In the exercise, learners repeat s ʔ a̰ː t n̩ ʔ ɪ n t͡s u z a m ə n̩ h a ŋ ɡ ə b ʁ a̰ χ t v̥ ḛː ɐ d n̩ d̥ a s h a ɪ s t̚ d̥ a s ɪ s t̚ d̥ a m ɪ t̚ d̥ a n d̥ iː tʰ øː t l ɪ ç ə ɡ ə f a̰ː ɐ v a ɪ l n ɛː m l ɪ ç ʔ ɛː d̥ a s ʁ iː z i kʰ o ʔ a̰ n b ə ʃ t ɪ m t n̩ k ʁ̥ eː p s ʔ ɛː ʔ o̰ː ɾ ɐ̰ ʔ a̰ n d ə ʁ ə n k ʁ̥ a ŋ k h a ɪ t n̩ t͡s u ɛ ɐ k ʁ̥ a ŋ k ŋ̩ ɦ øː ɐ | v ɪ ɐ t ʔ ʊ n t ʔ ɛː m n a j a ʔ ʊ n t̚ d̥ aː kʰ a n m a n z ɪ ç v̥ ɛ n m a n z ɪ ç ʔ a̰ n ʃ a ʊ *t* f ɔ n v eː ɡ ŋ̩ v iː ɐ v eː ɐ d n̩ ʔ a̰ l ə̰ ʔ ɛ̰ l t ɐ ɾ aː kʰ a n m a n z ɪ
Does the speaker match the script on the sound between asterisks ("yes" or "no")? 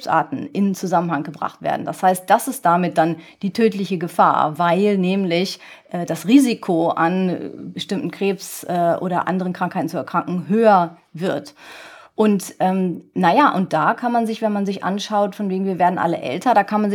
yes